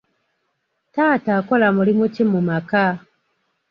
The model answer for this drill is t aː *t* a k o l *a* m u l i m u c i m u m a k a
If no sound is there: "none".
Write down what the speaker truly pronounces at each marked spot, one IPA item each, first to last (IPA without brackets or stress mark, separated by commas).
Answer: t, a